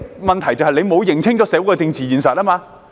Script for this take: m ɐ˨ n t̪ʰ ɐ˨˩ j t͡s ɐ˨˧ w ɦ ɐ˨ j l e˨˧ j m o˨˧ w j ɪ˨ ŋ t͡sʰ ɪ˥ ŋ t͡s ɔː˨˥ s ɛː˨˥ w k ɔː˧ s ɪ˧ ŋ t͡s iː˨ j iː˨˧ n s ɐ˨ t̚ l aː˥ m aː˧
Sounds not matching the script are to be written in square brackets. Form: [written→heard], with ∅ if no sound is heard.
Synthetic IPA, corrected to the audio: m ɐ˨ n t̪ʰ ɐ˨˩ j t͡s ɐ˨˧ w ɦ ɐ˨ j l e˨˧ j m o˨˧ w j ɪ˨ ŋ t͡sʰ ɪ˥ ŋ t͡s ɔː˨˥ s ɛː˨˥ w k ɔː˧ [s→t͡s] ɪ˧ ŋ t͡s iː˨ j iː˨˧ n s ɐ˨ t̚ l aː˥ m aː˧